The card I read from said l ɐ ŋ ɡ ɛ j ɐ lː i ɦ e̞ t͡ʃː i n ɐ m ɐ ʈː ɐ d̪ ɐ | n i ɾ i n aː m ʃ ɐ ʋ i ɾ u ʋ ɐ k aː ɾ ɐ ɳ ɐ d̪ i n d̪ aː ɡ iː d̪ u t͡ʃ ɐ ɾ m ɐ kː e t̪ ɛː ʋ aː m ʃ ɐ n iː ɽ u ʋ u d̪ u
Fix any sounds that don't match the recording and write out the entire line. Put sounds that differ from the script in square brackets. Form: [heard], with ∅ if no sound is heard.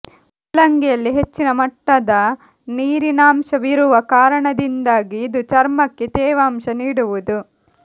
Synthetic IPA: l ɐ ŋ ɡ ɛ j ɐ lː i ɦ e̞ t͡ʃː i n ɐ m ɐ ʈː ɐ d̪ ɐ | n [iː] ɾ i n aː m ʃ ɐ ʋ i ɾ u ʋ ɐ k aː ɾ ɐ ɳ ɐ d̪ i n d̪ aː ɡ iː d̪ u t͡ʃ ɐ ɾ m ɐ kː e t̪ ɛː ʋ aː m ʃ ɐ n iː ɽ u ʋ u d̪ u